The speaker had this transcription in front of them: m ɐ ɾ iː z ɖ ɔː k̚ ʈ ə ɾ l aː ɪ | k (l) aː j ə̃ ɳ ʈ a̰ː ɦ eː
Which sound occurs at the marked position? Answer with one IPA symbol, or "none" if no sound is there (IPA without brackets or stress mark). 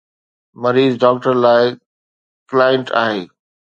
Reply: l